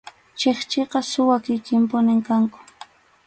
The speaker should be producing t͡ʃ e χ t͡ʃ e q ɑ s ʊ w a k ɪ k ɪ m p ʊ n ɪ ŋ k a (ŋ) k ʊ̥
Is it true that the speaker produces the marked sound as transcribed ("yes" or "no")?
yes